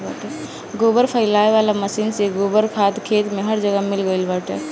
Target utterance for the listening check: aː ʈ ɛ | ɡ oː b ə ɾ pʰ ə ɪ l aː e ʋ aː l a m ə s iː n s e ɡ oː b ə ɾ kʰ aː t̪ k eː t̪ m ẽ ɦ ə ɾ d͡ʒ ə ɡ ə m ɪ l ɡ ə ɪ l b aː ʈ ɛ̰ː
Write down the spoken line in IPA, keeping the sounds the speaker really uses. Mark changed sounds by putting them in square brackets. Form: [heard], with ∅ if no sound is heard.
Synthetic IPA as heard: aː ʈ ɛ | ɡ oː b ə ɾ pʰ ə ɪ l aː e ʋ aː l a m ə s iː n s e ɡ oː b ə ɾ kʰ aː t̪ [kʰ] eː t̪ m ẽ ɦ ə ɾ d͡ʒ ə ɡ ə m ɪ l ɡ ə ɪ l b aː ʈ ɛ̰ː